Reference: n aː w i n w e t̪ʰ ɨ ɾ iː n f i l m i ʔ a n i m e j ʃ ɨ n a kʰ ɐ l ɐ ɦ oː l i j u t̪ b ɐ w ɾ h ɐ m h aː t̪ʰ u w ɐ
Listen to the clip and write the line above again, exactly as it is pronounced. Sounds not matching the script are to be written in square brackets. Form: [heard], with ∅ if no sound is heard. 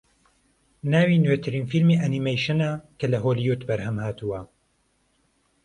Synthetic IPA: n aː w i n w e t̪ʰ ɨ ɾ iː n f i l m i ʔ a n i m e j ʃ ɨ n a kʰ ɐ l ɐ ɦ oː l i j u t̪ b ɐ [∅] ɾ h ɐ m h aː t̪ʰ u w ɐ